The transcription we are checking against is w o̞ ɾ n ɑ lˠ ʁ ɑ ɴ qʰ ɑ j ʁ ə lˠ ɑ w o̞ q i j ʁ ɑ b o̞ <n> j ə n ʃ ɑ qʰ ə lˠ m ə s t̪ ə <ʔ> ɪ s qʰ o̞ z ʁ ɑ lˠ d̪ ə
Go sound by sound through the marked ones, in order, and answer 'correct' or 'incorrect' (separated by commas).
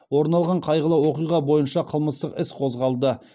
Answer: incorrect, incorrect